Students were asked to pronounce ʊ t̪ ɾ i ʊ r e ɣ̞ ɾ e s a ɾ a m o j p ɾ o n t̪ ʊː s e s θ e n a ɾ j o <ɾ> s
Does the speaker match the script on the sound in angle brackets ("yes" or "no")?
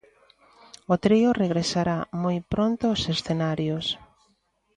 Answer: no